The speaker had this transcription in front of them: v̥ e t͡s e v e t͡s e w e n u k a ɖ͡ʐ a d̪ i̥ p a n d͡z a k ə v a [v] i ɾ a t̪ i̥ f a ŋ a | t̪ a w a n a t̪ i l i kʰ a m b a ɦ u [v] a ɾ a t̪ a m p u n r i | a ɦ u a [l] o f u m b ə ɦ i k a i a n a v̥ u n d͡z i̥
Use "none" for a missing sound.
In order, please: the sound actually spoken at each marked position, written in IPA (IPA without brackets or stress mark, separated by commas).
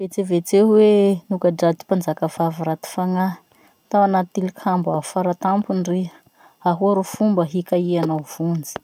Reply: v, f, ɾ